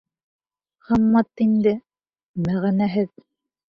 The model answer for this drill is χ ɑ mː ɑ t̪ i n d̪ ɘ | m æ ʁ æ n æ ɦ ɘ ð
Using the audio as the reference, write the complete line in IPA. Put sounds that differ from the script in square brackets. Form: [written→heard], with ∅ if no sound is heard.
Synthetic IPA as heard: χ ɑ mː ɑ t̪ i n d̪ ɘ | m æ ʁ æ n æ ɦ ɘ ð

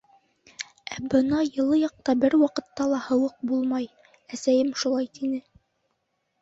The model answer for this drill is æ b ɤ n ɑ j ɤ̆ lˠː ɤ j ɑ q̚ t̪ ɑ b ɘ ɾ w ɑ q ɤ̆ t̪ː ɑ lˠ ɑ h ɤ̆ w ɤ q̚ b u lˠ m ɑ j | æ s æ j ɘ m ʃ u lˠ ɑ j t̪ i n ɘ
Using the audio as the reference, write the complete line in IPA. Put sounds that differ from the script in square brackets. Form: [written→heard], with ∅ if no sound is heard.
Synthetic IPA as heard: æ b ɤ n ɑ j ɤ̆ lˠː ɤ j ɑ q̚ t̪ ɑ b ɘ ɾ w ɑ q ɤ̆ t̪ː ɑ lˠ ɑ h ɤ̆ w ɤ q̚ b u lˠ m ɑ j | æ s æ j ɘ m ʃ u lˠ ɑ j t̪ i n ɘ

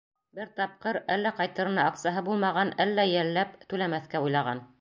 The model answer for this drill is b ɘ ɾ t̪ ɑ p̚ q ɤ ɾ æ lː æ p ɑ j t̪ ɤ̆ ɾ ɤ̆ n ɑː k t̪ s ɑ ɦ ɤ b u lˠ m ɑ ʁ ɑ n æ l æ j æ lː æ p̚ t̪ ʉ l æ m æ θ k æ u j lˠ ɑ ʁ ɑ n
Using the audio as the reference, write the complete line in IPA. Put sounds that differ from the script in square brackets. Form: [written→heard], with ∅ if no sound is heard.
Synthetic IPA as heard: b ɘ ɾ t̪ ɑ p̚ q ɤ ɾ æ lː æ [p→q] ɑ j t̪ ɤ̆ ɾ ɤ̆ n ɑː k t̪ s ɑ ɦ ɤ b u lˠ m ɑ ʁ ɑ n æ [l→lː] æ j æ lː æ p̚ t̪ ʉ l æ m æ θ k æ u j lˠ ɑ ʁ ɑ n

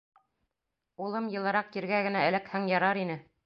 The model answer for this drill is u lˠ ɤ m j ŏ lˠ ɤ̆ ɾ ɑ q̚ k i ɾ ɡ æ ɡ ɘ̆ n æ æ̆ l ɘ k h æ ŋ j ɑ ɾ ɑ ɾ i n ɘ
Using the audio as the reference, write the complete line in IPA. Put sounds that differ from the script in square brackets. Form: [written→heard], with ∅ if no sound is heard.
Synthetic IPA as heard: u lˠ ɤ m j [ŏ→ɤ̆] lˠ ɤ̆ ɾ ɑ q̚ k i ɾ ɡ æ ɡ ɘ̆ n æ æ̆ l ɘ k h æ ŋ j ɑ ɾ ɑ ɾ i n ɘ

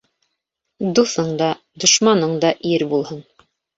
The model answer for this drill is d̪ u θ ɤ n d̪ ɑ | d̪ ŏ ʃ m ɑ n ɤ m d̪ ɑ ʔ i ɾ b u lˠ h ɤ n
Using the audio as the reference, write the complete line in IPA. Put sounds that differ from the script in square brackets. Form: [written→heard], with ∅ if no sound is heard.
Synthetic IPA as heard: d̪ u θ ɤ [n→ɴ] d̪ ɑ | d̪ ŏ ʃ m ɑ n ɤ [m→ɴ] d̪ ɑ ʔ i ɾ b u lˠ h ɤ n

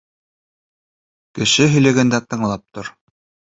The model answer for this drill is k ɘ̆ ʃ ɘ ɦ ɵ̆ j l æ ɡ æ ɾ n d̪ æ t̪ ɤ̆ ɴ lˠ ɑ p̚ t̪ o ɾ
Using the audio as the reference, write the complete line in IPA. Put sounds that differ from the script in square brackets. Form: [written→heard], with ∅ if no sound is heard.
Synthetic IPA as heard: k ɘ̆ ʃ ɘ ɦ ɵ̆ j l æ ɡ æ [ɾ→∅] n d̪ æ t̪ ɤ̆ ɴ lˠ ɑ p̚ t̪ o ɾ

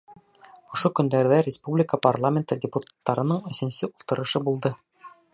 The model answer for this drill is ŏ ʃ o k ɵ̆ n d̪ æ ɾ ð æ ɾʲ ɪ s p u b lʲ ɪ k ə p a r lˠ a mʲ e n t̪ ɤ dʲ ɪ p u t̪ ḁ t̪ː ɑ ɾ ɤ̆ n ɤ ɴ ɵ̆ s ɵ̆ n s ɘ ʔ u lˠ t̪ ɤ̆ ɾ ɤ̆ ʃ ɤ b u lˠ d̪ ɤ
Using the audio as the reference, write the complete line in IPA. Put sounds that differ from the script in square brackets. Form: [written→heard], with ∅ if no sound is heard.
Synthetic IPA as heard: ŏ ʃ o k ɵ̆ n d̪ æ ɾ ð æ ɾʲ ɪ s p u b lʲ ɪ k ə p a r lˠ a mʲ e n t̪ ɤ dʲ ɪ p u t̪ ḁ t̪ː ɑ ɾ ɤ̆ n ɤ ɴ ɵ̆ s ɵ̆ n s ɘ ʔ u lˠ t̪ ɤ̆ ɾ ɤ̆ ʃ ɤ b u lˠ d̪ ɤ

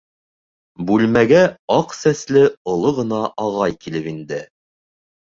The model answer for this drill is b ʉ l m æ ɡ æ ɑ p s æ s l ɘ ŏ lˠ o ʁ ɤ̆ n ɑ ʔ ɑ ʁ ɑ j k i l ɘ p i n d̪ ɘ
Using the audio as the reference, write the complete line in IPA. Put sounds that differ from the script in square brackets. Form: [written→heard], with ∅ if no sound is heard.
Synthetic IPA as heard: b ʉ l m æ ɡ æ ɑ [p→q] s æ s l ɘ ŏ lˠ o ʁ ɤ̆ n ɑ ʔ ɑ ʁ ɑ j k i l ɘ p i n d̪ ɘ

